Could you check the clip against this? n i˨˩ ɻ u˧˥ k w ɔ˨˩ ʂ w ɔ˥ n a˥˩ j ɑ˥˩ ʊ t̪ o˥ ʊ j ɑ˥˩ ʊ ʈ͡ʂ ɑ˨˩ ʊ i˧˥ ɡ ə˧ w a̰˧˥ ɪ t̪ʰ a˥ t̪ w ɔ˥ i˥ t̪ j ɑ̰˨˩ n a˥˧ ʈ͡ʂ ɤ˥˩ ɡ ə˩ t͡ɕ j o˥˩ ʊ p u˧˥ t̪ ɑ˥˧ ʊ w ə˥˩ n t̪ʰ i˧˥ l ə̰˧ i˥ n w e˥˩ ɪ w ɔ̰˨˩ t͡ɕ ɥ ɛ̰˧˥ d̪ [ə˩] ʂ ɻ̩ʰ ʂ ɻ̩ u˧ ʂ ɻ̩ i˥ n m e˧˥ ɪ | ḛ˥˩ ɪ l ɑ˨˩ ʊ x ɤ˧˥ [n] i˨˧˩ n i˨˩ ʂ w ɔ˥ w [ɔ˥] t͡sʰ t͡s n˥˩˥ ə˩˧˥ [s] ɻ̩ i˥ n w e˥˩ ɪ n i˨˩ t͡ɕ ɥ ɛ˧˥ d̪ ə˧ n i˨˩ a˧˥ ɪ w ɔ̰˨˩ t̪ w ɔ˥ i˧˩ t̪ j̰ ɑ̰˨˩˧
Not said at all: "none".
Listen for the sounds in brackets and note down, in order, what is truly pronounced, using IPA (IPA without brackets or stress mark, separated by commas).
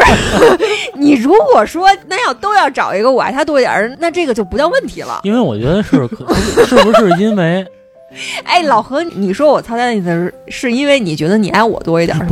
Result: ə˧, n, ɔ˨˩, ʂ